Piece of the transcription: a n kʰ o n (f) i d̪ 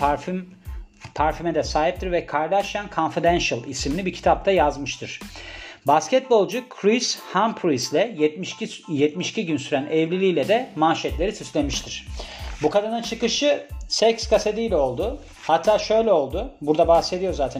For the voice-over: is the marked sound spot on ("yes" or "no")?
yes